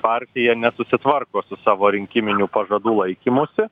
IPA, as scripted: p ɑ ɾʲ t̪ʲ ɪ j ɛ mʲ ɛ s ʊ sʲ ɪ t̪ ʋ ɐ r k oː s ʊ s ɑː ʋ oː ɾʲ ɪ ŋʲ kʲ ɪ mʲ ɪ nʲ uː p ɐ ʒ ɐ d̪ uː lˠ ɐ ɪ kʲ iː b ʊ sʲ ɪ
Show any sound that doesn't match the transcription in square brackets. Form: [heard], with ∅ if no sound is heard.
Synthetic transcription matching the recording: p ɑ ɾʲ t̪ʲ ɪ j ɛ [nʲ] ɛ s ʊ sʲ ɪ t̪ ʋ ɐ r k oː s ʊ s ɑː ʋ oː ɾʲ ɪ ŋʲ kʲ ɪ mʲ ɪ nʲ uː p ɐ ʒ ɐ d̪ uː lˠ ɐ ɪ kʲ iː [m] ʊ sʲ ɪ